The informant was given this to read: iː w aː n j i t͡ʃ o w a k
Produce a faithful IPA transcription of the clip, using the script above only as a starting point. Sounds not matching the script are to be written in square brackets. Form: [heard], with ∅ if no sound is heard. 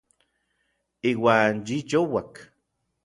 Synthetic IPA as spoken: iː w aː n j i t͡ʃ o w a k